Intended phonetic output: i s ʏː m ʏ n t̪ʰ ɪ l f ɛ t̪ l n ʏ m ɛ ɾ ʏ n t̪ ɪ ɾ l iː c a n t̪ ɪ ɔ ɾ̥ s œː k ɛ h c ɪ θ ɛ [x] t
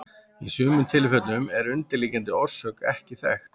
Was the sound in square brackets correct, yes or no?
yes